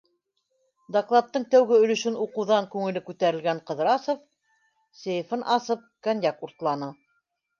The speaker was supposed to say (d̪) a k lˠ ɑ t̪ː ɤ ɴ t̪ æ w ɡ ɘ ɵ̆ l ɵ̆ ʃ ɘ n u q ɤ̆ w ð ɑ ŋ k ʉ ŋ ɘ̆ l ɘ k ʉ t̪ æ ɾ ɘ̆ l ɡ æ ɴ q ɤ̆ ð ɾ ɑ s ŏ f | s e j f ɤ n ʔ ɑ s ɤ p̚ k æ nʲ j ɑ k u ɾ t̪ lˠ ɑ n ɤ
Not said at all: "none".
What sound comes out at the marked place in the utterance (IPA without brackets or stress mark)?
d̪